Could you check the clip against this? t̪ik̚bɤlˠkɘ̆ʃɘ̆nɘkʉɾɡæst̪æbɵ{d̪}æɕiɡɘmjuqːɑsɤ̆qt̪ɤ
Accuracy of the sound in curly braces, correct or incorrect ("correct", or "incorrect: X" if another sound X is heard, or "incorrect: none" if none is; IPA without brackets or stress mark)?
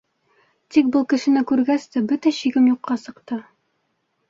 incorrect: t̪